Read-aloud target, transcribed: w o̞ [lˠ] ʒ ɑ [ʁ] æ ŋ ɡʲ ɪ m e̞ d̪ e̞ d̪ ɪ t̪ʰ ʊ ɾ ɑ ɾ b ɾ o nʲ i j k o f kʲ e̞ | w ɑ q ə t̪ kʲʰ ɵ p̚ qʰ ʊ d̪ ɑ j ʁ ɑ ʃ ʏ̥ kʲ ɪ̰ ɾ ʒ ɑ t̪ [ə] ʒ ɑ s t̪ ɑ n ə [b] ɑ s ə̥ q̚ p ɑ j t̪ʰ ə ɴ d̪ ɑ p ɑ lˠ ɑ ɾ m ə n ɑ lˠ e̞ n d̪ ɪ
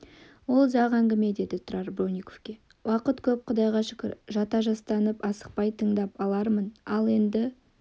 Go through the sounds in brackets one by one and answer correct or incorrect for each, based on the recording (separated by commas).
correct, correct, incorrect, incorrect